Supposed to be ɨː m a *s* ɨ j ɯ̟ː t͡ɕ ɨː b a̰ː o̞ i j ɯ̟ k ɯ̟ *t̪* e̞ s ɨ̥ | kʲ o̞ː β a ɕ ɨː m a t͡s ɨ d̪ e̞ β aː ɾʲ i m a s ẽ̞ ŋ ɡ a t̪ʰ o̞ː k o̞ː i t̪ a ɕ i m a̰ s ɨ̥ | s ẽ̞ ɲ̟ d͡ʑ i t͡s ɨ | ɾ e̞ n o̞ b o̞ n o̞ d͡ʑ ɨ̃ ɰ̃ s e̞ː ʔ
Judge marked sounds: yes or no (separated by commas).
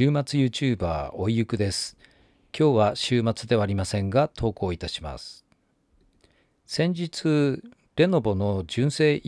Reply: no, no